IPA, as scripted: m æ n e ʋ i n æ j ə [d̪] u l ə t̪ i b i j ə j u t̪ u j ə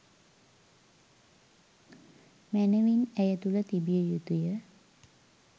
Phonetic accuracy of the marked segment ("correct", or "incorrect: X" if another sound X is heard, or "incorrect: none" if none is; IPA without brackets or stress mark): incorrect: t̪